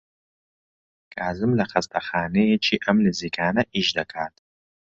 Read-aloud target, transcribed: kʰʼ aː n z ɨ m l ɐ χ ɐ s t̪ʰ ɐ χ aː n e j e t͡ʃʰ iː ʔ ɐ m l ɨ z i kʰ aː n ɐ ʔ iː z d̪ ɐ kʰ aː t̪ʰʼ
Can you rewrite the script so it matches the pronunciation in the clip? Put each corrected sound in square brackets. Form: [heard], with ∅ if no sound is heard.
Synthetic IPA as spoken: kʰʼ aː [∅] z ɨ m l ɐ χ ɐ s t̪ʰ ɐ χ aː n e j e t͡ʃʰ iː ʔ ɐ m l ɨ z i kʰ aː n ɐ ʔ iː [ʒ] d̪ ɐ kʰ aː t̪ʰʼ